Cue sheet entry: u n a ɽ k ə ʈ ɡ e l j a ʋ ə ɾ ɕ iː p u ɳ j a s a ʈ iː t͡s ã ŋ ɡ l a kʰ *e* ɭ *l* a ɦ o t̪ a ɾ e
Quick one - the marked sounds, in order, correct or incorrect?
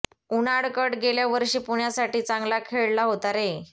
correct, correct

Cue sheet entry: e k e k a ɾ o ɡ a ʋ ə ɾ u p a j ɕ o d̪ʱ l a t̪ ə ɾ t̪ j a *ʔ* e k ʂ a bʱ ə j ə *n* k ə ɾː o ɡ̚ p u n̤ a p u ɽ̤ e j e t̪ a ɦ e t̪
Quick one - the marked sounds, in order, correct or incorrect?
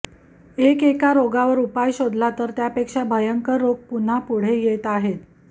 incorrect: p, incorrect: ŋ

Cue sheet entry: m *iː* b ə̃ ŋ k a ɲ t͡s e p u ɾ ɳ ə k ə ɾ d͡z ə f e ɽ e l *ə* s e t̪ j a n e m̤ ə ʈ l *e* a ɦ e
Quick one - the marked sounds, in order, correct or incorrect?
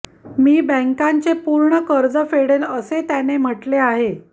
correct, correct, correct

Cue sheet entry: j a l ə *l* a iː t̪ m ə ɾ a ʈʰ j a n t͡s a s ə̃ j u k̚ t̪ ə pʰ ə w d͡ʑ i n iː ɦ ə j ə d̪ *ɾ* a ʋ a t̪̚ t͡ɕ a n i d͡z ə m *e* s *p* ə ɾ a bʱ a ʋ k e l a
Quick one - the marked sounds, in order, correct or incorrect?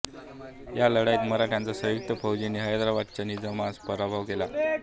incorrect: ɽ, correct, incorrect: a, correct

